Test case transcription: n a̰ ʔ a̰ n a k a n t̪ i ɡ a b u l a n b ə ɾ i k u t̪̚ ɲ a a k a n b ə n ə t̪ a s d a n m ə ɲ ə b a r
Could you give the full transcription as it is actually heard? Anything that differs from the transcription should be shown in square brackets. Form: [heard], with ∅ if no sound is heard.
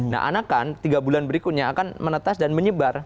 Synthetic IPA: n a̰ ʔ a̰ n a k a n t̪ i ɡ a b u l a n b ə ɾ i k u t̪̚ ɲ a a k a n [m] ə n ə t̪ a s d a n m ə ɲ ə b a r